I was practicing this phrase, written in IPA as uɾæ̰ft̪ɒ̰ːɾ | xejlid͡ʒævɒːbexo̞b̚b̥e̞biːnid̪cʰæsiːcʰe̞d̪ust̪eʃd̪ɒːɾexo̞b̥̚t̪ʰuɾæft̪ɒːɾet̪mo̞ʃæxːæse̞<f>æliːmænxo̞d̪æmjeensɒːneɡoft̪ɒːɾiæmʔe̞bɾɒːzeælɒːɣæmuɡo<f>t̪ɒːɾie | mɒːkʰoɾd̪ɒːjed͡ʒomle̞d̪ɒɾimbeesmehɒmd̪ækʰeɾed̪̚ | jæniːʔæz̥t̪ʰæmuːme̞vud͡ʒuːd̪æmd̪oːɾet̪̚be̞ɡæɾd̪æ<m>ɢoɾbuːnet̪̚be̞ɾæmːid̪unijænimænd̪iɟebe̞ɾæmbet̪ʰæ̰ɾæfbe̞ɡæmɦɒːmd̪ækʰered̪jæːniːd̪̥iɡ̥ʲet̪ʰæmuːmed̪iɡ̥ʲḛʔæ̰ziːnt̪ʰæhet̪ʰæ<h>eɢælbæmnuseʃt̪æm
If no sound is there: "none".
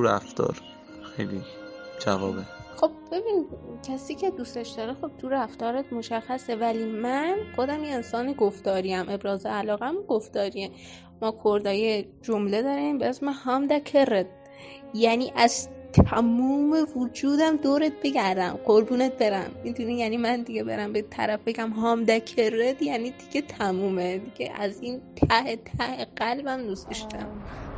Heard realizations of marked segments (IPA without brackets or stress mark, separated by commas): v, f, m, h